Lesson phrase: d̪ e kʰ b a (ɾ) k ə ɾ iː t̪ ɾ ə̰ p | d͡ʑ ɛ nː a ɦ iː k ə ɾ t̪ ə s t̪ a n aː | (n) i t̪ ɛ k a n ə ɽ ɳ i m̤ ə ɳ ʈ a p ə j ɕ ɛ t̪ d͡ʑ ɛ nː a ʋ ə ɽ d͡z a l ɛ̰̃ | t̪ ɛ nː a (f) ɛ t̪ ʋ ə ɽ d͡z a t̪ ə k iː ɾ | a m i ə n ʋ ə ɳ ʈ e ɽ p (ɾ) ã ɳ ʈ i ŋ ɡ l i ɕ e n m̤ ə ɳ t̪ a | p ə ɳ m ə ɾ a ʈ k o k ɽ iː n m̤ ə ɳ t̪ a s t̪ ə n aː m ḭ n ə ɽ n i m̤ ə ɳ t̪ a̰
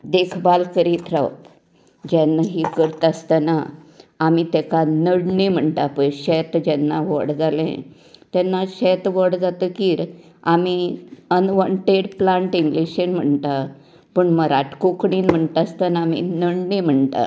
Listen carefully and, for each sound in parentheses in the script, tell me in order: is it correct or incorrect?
incorrect: l, incorrect: m, incorrect: ɕ, incorrect: l

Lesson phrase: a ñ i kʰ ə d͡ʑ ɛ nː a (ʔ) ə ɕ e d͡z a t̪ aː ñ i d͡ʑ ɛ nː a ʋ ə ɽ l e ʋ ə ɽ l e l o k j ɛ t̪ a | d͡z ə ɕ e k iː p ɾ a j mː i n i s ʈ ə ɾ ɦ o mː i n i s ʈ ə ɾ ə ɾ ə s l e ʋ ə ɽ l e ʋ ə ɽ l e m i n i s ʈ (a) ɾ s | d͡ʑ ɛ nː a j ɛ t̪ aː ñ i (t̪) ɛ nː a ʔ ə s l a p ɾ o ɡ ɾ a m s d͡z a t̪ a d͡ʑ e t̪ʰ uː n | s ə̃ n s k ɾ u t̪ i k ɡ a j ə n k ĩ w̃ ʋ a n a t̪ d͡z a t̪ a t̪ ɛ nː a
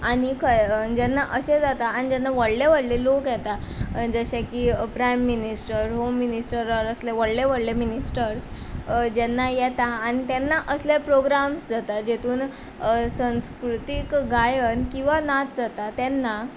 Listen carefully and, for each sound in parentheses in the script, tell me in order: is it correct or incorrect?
correct, incorrect: ə, correct

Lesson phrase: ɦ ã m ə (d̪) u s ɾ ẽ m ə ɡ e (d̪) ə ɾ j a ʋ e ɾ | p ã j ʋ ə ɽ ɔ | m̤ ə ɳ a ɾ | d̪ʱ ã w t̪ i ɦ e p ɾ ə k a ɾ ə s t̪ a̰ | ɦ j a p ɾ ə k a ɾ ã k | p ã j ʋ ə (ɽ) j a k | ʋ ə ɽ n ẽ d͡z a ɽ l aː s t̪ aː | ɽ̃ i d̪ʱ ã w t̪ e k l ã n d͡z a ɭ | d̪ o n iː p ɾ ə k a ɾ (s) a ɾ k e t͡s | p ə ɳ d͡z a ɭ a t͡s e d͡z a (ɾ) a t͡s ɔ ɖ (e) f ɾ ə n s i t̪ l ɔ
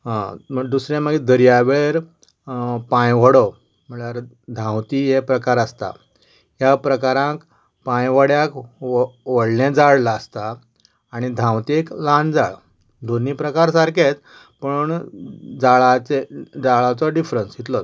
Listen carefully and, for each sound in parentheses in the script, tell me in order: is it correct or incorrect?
correct, correct, correct, correct, incorrect: ɭ, incorrect: i

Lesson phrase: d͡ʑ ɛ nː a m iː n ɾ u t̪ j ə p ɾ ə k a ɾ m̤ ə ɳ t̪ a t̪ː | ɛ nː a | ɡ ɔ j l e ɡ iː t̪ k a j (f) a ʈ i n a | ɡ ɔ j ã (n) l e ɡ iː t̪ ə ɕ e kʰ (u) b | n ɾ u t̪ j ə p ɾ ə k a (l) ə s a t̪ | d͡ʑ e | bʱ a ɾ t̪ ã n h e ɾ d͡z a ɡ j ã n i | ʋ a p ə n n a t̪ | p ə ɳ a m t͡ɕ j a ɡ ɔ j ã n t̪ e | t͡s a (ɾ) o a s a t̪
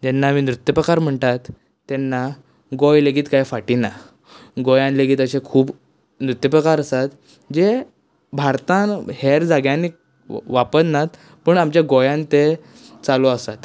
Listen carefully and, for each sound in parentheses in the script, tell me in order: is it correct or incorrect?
correct, correct, incorrect: uː, incorrect: ɾ, incorrect: l

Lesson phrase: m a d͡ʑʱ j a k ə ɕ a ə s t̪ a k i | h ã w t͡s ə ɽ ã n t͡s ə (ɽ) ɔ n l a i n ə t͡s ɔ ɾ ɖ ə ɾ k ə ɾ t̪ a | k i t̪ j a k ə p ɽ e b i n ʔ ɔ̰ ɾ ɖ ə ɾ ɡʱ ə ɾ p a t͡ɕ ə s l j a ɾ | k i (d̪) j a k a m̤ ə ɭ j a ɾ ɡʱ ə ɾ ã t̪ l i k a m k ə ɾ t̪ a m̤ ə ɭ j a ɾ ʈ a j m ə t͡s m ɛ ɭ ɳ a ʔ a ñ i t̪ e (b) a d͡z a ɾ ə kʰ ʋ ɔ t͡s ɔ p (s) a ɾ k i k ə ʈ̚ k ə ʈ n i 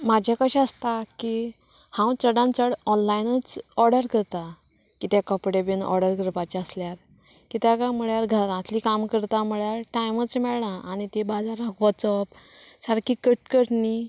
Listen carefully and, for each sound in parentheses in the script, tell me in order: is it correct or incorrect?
correct, incorrect: t̪, correct, correct

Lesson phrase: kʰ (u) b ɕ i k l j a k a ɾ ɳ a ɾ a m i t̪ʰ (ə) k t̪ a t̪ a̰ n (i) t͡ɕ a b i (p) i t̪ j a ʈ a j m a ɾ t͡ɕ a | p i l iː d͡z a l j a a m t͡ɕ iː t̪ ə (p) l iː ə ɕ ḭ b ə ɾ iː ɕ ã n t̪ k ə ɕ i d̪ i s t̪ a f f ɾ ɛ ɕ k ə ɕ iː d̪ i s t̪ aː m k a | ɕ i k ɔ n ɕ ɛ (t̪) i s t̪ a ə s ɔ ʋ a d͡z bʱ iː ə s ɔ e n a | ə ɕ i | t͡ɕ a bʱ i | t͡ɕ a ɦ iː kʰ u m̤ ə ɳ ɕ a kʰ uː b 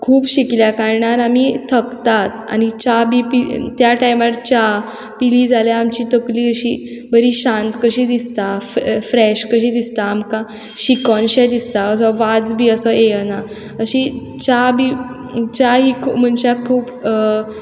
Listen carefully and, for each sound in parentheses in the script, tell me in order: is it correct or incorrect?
incorrect: uː, correct, correct, correct, incorrect: k, incorrect: d̪

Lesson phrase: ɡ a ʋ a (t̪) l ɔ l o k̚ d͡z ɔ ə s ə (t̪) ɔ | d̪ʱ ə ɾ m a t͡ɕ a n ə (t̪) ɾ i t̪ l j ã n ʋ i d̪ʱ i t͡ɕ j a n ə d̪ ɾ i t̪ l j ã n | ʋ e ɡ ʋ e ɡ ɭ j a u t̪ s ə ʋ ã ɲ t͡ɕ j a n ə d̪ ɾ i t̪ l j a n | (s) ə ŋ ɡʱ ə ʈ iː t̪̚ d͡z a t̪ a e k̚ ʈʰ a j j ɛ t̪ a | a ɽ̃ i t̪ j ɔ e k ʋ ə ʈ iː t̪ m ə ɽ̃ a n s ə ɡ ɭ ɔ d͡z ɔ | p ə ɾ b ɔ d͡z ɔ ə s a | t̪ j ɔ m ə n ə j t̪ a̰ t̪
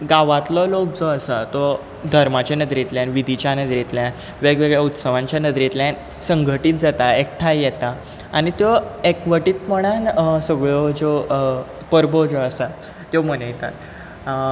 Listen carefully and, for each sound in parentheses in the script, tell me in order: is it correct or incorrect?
correct, correct, incorrect: d̪, correct

